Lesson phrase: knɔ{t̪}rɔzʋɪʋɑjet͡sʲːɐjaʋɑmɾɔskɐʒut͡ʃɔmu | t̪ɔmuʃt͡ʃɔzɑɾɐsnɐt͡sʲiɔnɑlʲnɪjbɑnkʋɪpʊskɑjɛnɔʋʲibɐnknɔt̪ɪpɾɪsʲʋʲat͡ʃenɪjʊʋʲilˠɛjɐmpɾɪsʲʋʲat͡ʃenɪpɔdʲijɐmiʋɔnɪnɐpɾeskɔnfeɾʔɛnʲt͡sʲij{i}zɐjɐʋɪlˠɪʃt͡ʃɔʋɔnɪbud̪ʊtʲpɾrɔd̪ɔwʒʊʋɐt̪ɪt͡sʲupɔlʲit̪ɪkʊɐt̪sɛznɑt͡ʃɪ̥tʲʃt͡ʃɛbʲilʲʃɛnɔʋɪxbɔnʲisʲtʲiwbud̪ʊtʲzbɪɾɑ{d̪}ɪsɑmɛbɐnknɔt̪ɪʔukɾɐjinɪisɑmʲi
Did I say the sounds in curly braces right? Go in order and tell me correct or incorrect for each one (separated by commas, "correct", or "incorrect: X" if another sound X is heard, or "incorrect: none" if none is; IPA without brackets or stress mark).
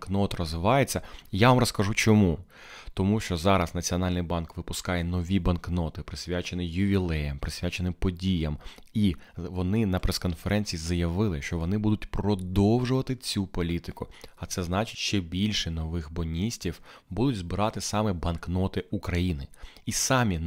correct, correct, incorrect: t̪